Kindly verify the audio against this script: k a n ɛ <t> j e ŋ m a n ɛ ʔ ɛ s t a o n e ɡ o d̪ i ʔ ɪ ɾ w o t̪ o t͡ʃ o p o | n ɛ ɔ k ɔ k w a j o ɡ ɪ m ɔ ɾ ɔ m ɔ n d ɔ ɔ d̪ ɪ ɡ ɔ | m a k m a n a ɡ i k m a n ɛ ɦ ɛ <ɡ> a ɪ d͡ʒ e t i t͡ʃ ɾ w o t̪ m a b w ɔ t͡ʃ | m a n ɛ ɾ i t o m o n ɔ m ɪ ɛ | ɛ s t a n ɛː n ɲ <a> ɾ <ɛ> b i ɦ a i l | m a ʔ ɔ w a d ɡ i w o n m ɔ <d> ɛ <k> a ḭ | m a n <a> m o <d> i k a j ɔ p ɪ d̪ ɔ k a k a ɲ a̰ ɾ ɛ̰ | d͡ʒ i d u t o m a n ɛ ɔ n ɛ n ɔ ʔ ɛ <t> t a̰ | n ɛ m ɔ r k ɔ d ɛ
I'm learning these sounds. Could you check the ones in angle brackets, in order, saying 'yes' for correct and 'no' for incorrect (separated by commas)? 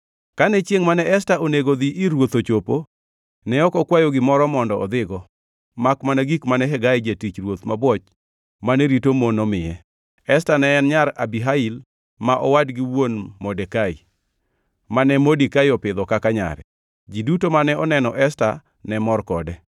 no, yes, yes, no, yes, yes, no, yes, no